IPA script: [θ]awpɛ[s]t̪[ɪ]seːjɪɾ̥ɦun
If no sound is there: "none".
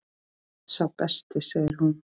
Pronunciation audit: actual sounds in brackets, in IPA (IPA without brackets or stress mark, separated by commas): s, s, ɪ